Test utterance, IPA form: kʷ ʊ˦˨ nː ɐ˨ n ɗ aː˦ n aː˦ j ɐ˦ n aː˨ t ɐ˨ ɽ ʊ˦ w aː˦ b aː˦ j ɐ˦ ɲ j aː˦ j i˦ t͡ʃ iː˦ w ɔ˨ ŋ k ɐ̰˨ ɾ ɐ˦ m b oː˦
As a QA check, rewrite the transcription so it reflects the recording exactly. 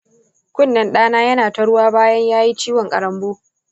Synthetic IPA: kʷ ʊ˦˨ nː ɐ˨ n ɗ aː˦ n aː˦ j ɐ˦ n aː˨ t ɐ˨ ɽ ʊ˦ w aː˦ b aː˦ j ɐ˦ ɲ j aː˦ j i˦ t͡ʃ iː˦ w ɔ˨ ŋ kʼ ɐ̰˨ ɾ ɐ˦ m b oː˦